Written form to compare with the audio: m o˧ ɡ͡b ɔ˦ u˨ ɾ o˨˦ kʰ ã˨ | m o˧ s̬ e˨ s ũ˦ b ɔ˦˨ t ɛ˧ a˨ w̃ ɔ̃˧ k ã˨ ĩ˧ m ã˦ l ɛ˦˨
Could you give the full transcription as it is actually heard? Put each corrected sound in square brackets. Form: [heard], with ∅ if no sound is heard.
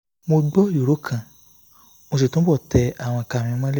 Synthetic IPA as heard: m o˧ ɡ͡b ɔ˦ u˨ ɾ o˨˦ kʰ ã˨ | m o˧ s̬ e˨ [t] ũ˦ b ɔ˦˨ t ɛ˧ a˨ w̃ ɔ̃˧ k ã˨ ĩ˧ m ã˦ l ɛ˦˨